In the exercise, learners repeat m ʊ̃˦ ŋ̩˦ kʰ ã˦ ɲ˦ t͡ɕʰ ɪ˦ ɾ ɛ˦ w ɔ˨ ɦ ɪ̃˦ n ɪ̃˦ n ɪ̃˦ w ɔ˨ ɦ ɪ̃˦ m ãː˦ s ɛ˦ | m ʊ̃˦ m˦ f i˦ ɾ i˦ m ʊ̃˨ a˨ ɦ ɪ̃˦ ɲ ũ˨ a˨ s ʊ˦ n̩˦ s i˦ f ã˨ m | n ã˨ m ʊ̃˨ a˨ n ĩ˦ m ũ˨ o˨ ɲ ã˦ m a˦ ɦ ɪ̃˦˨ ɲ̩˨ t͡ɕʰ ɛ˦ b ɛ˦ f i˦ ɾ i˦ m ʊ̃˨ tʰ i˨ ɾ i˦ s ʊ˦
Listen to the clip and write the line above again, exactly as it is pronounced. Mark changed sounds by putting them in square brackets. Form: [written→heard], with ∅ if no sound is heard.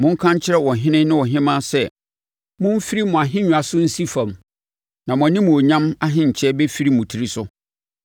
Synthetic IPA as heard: m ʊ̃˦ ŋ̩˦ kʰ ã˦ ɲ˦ t͡ɕʰ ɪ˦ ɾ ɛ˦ w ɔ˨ ɦ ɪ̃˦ n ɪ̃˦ n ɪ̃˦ w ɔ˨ ɦ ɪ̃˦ m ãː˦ s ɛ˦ | m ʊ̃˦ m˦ f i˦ ɾ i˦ m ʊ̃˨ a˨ ɦ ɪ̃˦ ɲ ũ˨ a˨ s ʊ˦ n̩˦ s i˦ f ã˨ m | n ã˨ m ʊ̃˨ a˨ n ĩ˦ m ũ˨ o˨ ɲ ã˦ m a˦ ɦ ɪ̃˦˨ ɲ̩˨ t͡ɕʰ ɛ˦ b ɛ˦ f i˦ ɾ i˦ m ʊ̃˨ tʰ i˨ ɾ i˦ s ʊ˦